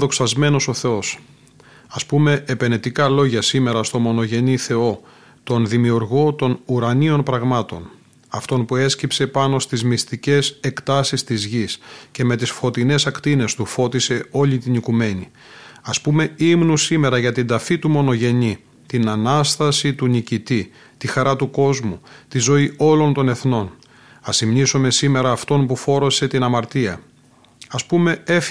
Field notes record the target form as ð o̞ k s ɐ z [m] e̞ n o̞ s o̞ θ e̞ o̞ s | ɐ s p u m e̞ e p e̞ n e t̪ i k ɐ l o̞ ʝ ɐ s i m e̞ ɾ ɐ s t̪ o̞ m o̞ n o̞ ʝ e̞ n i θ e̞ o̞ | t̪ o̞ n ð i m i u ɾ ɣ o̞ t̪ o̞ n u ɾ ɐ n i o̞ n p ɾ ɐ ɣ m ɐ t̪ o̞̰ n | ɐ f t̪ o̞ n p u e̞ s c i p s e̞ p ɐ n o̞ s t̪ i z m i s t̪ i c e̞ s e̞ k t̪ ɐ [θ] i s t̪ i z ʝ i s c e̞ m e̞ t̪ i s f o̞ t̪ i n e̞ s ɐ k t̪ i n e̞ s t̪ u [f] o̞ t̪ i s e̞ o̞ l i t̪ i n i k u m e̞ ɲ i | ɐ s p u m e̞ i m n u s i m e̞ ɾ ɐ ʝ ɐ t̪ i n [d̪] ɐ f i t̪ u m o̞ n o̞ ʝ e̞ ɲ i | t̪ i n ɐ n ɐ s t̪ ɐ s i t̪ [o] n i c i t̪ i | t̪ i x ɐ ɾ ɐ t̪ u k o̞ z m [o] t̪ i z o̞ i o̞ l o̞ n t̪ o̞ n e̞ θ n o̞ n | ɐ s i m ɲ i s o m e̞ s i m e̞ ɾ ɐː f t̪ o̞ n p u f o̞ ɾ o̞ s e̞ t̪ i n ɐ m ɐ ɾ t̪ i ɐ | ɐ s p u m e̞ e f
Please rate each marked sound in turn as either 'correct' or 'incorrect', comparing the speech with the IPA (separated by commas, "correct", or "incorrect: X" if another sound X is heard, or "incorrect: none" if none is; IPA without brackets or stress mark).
correct, incorrect: s, correct, correct, incorrect: u, incorrect: u